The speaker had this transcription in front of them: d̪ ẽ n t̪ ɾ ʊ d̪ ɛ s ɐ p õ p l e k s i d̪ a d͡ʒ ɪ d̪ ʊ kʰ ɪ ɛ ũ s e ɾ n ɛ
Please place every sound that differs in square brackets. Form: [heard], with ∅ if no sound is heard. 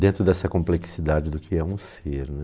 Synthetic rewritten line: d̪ ẽ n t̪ ɾ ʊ d̪ ɛ s ɐ [k] õ p l e k s i d̪ a d͡ʒ ɪ d̪ ʊ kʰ ɪ ɛ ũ s e ɾ n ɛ

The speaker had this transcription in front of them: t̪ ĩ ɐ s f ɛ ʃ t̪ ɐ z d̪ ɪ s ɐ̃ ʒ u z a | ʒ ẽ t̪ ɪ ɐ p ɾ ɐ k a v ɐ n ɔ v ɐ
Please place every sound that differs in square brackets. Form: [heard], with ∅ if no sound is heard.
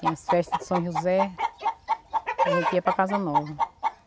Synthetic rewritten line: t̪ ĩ ɐ s f ɛ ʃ t̪ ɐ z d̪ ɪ s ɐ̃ ʒ u z [ɛ] | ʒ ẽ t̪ [i] ɐ p ɾ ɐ k a [z] ɐ n ɔ v ɐ

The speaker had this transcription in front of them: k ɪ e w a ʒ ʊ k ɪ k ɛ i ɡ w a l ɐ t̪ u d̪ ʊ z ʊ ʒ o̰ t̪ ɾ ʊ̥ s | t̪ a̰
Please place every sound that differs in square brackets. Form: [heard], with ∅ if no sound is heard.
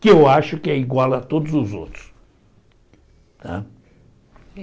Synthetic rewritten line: k ɪ e w a [ʃ] ʊ k ɪ [∅] ɛ i ɡ w a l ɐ t̪ [o] d̪ ʊ z ʊ [z] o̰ t̪ ɾ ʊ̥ s | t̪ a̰

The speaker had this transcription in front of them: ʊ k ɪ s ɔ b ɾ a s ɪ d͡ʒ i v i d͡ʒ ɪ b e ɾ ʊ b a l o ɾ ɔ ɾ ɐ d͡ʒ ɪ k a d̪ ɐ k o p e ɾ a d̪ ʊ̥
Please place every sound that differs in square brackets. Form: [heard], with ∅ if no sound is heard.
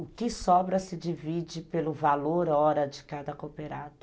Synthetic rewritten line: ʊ k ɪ s ɔ b ɾ [ɐ] s ɪ d͡ʒ i v i d͡ʒ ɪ [p] e [l] ʊ [v] a l o ɾ ɔ ɾ ɐ d͡ʒ ɪ k a d̪ ɐ k o p e ɾ a d̪ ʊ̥

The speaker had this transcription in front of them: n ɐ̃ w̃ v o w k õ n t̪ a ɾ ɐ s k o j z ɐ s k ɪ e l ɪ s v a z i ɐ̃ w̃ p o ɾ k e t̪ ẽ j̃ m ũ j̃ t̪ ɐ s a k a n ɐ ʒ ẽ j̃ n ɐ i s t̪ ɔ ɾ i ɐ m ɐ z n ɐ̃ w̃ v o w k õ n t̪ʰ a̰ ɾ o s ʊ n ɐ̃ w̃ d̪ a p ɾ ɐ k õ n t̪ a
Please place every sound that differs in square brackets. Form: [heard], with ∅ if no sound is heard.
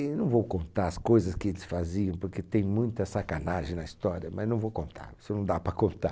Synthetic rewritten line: n ɐ̃ w̃ v o w k õ n t̪ a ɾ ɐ s k o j z ɐ s k ɪ e l ɪ s [f] a z i ɐ̃ w̃ p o ɾ k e t̪ ẽ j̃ m ũ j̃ t̪ ɐ s a k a n [a] ʒ ẽ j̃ n ɐ i s t̪ ɔ ɾ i ɐ m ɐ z n ɐ̃ w̃ v o w k õ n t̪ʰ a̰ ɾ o s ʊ n ɐ̃ w̃ d̪ a p ɾ ɐ k õ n t̪ a

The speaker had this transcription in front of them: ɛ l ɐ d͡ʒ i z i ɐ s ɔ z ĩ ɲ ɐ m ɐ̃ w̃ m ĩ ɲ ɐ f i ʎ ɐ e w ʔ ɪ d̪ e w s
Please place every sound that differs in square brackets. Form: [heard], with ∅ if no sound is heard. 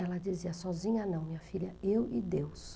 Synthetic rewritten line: ɛ l ɐ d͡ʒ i z i ɐ s ɔ z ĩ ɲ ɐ [n] ɐ̃ w̃ m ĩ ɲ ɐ f i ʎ ɐ e w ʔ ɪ d̪ e w s

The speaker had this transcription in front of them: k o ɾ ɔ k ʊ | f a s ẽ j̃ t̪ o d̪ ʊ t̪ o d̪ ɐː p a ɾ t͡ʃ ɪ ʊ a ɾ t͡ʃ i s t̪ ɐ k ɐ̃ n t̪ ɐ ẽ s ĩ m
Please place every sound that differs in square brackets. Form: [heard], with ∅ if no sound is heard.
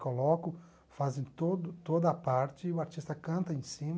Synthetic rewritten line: k o [l] ɔ k ʊ | f a [z] ẽ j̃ t̪ o d̪ ʊ t̪ o d̪ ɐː p a ɾ t͡ʃ ɪ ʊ a ɾ t͡ʃ i s t̪ ɐ k ɐ̃ n t̪ ɐ ẽ s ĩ m

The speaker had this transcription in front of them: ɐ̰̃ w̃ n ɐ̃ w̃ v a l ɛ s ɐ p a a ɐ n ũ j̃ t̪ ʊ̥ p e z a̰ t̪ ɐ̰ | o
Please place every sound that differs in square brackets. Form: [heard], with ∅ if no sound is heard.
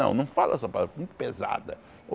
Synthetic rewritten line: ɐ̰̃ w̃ n ɐ̃ w̃ [f] a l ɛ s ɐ p a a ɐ [m] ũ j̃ t̪ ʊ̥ p e z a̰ [d̪] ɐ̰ | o

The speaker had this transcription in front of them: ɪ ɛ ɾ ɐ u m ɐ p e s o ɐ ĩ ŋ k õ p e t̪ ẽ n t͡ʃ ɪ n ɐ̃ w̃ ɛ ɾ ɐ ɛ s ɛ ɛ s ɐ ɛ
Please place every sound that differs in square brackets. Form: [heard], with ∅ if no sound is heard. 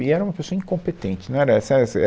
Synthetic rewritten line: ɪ ɛ ɾ ɐ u m ɐ p e s o ɐ ĩ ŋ k õ p e t̪ ẽ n t͡ʃ ɪ n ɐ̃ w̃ ɛ ɾ ɐ ɛ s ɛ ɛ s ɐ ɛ

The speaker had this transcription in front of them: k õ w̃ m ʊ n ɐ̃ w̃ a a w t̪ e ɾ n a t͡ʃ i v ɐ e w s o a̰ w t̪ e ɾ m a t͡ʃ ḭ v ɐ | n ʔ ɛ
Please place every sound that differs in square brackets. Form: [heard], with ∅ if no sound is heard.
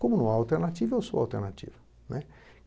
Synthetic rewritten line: k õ [∅] m ʊ n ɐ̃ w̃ a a w t̪ e ɾ n a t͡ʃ i v ɐ e w s o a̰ w t̪ e ɾ [n] a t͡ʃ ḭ v ɐ | n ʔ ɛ

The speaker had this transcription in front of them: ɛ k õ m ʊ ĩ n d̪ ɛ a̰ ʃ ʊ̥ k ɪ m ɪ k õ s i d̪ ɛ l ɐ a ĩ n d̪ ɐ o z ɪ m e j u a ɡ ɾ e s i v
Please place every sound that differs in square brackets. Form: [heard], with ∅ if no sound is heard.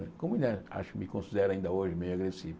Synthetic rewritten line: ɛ k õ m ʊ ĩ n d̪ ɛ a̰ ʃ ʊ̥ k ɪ m ɪ k õ s i d̪ ɛ [ɾ] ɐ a ĩ n d̪ ɐ o [ʒ] ɪ m e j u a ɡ ɾ e s i v

